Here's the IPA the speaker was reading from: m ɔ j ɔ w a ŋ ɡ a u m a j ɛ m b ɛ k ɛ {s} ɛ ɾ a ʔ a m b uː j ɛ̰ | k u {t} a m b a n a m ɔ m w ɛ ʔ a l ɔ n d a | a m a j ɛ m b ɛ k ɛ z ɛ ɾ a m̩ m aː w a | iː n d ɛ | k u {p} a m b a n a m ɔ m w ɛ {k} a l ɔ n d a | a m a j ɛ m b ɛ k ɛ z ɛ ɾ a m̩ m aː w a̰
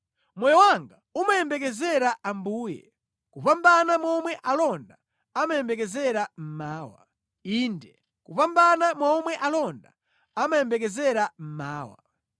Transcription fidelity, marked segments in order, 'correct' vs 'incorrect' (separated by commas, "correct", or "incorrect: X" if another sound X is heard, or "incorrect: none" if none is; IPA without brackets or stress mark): incorrect: z, incorrect: p, correct, incorrect: ʔ